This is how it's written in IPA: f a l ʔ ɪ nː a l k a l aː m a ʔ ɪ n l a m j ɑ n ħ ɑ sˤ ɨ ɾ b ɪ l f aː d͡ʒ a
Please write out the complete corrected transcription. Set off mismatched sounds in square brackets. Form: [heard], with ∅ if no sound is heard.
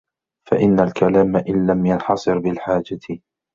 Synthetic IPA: f a [∅] ʔ ɪ nː a l k a l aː m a ʔ ɪ n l a m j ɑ n ħ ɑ sˤ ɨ ɾ b ɪ l [ħ] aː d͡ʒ a